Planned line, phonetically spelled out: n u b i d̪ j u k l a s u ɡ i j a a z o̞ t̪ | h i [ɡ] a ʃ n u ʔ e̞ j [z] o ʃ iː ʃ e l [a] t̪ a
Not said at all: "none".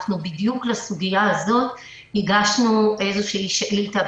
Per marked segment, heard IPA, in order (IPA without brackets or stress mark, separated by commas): ɡ, z, i